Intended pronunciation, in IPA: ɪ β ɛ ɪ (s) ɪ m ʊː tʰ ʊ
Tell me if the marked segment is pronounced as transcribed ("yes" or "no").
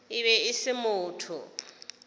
yes